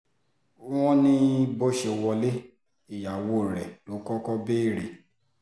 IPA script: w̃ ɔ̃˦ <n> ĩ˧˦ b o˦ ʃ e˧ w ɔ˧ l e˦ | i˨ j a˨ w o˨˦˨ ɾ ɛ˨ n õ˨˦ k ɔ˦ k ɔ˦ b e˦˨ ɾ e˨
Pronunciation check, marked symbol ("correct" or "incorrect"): correct